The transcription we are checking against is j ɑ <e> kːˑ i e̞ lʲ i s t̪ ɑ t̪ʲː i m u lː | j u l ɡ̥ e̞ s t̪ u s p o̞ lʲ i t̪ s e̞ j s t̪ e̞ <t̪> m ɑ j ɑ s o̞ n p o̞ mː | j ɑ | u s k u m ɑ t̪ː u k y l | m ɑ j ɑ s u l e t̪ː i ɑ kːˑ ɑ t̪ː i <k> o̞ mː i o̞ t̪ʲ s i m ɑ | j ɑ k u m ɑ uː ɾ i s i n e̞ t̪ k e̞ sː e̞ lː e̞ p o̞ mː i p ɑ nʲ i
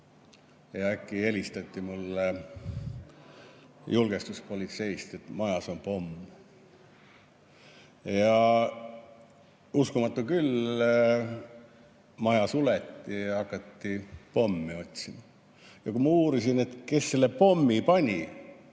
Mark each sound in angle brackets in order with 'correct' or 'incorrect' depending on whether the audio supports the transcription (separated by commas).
incorrect, correct, incorrect